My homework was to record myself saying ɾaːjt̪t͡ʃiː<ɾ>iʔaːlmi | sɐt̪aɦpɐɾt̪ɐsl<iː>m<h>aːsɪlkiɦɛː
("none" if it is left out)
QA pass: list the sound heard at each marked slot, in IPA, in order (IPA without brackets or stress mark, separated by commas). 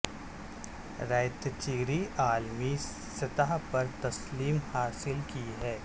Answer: ɾ, iː, h